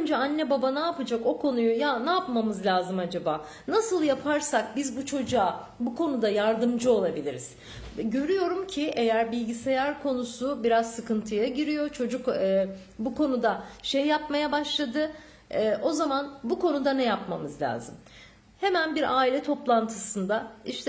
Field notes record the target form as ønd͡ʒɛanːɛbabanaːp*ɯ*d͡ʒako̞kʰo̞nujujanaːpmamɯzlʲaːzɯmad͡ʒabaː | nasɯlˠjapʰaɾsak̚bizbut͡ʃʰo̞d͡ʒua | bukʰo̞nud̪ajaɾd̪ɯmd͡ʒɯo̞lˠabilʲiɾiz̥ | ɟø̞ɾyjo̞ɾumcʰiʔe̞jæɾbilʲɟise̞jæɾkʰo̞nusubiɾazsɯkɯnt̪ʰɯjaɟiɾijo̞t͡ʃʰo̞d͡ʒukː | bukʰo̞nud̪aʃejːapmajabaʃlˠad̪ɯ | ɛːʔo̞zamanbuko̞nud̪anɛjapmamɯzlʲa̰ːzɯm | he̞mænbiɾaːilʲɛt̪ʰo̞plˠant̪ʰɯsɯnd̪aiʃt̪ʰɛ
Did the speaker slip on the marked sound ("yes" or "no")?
no